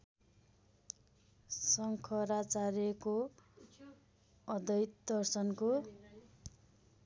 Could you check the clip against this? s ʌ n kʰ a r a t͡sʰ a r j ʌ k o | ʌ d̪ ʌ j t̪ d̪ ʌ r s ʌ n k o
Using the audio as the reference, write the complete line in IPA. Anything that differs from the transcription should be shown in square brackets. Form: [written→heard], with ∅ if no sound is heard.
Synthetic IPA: s ʌ [n→ŋ] kʰ [a→ʌ] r a [t͡sʰ→t͡s] a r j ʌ k o | ʌ d̪ ʌ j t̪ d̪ ʌ r s ʌ n k o